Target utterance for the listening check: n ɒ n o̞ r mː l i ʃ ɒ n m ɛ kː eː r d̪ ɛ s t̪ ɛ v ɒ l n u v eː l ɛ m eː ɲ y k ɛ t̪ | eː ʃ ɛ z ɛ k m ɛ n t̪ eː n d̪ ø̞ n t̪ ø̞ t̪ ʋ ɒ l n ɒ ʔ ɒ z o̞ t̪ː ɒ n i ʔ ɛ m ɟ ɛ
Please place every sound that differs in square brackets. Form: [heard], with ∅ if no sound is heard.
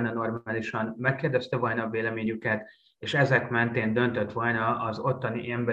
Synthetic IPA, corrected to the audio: n ɒ n o̞ r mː l i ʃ ɒ n m ɛ kː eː r d̪ ɛ s t̪ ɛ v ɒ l n [ɒ] v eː l ɛ m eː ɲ y k ɛ t̪ | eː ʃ ɛ z ɛ k m ɛ n t̪ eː n d̪ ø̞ n t̪ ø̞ t̪ ʋ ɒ l n ɒ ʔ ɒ z o̞ t̪ː ɒ n i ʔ ɛ m [b] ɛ